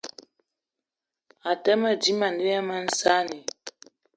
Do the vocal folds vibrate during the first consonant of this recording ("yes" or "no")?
no